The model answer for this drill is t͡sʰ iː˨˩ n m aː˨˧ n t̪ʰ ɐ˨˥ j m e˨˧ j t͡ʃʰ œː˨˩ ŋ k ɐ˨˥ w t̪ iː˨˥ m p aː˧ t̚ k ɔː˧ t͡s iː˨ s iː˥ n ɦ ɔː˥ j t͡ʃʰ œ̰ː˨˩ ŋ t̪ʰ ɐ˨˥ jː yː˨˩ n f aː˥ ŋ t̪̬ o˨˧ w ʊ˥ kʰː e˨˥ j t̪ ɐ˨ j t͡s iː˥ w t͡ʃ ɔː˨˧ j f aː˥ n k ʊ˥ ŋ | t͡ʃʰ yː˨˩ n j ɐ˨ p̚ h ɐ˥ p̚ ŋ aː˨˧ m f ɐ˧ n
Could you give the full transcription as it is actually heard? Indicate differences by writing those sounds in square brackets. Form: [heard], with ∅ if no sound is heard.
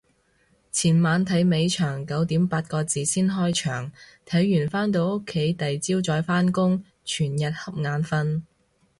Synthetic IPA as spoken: t͡sʰ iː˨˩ n m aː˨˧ n t̪ʰ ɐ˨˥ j m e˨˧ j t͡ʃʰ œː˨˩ ŋ k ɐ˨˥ w t̪ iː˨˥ m p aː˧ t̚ k ɔː˧ t͡s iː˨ s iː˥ n ɦ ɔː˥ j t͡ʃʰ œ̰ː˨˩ ŋ t̪ʰ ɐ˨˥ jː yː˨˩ n f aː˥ [n] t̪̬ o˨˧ w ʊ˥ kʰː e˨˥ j t̪ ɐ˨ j t͡s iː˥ w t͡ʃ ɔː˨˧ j f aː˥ n k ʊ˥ ŋ | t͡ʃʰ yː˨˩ n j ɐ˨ [t̚] h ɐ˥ p̚ ŋ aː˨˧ [n] f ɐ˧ n

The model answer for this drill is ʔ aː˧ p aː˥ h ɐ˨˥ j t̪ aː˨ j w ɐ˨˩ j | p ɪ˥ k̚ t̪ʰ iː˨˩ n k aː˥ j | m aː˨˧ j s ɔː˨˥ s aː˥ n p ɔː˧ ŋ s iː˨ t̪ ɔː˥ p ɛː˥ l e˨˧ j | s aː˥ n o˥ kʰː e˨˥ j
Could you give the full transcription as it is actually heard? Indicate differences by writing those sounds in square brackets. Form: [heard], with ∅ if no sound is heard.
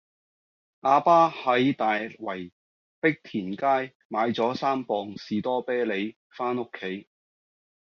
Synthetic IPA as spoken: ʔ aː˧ p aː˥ h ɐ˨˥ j t̪ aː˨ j w ɐ˨˩ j | p ɪ˥ k̚ t̪ʰ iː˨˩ n k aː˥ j | m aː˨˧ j [t͡s] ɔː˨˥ s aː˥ [m] p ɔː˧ ŋ s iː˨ t̪ ɔː˥ p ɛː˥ l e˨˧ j | [f] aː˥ n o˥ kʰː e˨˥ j

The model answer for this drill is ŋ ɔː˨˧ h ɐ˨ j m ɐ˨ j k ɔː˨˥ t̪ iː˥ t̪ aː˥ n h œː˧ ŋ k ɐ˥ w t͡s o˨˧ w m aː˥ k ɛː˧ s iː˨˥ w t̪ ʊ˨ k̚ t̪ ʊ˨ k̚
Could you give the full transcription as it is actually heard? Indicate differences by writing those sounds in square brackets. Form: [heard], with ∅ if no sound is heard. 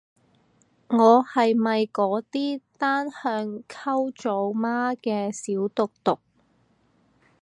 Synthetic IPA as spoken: ŋ ɔː˨˧ h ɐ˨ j m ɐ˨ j k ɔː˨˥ t̪ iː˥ t̪ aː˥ n h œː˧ ŋ [kʰ] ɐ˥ w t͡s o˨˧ w m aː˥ k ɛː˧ s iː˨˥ w t̪ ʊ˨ k̚ t̪ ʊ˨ k̚

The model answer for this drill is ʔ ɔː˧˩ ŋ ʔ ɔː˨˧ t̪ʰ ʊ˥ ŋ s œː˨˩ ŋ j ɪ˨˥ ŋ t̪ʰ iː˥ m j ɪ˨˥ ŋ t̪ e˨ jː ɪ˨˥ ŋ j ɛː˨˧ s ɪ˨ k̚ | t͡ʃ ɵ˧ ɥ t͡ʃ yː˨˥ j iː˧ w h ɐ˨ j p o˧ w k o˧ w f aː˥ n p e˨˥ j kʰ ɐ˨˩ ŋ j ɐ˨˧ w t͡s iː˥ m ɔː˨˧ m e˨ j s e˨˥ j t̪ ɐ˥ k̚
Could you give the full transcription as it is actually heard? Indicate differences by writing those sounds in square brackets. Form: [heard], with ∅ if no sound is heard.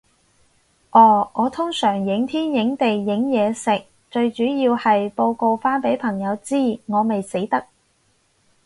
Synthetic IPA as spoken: ʔ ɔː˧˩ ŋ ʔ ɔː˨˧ t̪ʰ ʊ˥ ŋ s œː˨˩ ŋ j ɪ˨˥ ŋ t̪ʰ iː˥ [n] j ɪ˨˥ ŋ t̪ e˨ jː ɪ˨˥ ŋ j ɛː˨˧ s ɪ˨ k̚ | t͡ʃ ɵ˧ ɥ t͡ʃ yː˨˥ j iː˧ w h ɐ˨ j p o˧ w k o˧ w f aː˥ n p e˨˥ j [pʰ] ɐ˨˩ ŋ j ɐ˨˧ w t͡s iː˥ [ŋ] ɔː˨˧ m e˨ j s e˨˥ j t̪ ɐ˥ k̚

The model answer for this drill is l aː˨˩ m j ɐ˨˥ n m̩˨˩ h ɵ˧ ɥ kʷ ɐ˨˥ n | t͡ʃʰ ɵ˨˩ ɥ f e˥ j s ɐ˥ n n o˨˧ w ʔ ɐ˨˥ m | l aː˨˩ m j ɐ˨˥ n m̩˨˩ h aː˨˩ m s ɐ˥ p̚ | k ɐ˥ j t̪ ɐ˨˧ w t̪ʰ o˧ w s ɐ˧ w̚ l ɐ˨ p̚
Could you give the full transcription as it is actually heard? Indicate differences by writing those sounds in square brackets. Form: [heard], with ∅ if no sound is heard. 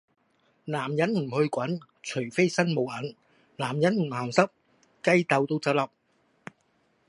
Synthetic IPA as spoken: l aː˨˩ m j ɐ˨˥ n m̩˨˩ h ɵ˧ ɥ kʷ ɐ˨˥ n | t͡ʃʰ ɵ˨˩ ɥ f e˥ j s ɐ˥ n [m] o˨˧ w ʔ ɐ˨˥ [n] | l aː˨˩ m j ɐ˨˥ n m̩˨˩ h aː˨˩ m s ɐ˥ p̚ | k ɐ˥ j t̪ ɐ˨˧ w [t̪] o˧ w [t͡s] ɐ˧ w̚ l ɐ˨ p̚

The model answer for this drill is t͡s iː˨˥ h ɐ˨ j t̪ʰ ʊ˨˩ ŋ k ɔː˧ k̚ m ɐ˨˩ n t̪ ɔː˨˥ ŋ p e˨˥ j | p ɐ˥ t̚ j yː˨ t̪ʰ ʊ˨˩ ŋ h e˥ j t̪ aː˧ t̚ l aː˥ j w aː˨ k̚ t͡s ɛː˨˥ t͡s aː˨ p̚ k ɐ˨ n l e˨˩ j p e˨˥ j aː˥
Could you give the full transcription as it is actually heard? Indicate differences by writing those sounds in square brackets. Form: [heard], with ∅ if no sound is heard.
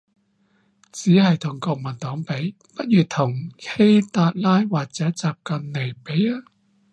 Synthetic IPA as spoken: t͡s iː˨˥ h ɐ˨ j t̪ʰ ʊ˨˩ ŋ k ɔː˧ k̚ m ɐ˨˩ n t̪ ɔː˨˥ ŋ p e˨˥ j | p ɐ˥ t̚ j yː˨ t̪ʰ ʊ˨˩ ŋ h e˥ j t̪ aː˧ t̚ l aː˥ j w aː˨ k̚ t͡s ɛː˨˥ t͡s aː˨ p̚ k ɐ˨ n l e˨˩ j p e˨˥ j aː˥

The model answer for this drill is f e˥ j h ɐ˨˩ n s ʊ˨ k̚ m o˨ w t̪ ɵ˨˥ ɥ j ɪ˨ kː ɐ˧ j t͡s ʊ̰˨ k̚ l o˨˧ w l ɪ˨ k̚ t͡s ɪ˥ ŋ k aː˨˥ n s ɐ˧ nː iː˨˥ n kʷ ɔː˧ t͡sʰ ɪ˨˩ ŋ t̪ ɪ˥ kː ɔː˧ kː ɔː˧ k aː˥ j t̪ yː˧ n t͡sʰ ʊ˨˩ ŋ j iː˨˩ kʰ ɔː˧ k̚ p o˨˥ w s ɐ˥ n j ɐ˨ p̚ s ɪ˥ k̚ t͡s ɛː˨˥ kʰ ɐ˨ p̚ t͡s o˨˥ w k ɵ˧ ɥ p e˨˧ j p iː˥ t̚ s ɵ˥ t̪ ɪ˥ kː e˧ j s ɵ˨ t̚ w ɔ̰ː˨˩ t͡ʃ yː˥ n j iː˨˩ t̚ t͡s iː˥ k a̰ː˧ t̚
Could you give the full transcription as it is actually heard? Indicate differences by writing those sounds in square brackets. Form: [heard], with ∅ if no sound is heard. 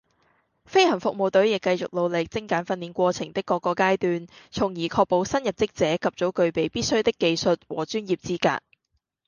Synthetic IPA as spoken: f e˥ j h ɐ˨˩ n [f] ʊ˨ k̚ m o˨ w t̪ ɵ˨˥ ɥ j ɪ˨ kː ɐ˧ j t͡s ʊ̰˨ k̚ l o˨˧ w l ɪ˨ k̚ t͡s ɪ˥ ŋ k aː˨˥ n [f] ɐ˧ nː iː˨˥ n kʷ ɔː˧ t͡sʰ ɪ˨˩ ŋ t̪ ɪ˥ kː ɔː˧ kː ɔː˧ k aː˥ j t̪ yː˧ n t͡sʰ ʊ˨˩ ŋ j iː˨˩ kʰ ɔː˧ k̚ p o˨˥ w s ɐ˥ n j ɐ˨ p̚ [t͡s] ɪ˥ k̚ t͡s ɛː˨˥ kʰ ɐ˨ p̚ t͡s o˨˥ w k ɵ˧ ɥ p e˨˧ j p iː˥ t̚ s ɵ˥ t̪ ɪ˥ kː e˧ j s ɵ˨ t̚ w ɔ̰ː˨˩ t͡ʃ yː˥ n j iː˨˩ [p̚] t͡s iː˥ k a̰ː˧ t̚

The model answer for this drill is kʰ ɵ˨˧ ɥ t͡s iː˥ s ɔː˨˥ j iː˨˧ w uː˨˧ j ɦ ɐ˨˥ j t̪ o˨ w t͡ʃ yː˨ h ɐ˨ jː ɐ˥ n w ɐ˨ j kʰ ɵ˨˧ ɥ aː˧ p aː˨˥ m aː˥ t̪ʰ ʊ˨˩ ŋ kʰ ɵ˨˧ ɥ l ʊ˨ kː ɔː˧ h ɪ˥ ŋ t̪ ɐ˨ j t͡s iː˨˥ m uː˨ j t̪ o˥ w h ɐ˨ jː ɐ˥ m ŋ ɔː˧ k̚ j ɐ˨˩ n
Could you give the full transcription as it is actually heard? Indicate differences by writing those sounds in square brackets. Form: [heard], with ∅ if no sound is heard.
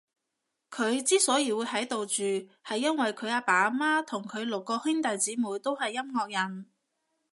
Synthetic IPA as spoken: kʰ ɵ˨˧ ɥ t͡s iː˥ s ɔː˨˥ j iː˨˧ w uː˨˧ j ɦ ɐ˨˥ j t̪ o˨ w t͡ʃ yː˨ h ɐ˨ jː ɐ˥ n w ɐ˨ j kʰ ɵ˨˧ ɥ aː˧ p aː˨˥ m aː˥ t̪ʰ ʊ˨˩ ŋ kʰ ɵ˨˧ ɥ l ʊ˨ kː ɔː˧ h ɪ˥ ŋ t̪ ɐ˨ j t͡s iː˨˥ m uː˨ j t̪ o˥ w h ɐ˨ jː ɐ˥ m ŋ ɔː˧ k̚ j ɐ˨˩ n

